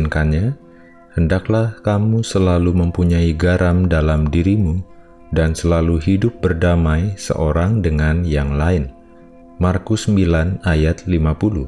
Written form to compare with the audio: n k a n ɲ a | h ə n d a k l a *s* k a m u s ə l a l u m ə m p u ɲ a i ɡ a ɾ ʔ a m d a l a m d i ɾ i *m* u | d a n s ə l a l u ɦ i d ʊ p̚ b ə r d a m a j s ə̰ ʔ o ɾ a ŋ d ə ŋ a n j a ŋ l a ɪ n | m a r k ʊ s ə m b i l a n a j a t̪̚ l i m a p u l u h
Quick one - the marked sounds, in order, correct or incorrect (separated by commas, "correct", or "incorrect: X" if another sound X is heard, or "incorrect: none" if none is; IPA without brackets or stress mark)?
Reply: incorrect: h, correct